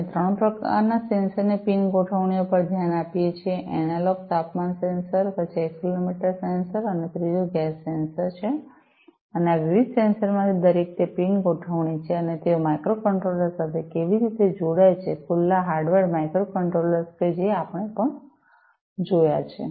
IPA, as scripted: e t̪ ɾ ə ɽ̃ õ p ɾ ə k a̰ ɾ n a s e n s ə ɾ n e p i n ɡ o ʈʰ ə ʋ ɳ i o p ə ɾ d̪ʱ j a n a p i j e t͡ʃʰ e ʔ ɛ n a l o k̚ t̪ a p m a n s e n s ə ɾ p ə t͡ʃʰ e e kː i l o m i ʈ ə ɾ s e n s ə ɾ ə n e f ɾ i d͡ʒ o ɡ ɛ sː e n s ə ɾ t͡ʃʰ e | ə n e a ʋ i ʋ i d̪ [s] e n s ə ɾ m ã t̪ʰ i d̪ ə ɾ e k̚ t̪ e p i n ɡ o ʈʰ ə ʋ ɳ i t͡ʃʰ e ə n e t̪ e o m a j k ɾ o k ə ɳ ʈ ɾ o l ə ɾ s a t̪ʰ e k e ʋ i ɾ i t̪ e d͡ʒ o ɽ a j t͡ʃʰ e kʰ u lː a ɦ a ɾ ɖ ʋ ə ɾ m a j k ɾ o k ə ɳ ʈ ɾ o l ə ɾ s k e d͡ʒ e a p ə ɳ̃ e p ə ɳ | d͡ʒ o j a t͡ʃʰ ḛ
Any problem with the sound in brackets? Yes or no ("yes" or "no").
no